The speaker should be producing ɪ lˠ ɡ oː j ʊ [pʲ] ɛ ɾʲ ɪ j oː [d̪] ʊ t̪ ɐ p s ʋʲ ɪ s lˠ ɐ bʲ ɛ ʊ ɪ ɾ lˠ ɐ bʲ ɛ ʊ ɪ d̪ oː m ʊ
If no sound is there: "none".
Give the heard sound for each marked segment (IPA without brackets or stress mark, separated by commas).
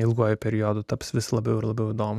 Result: pʲ, d̪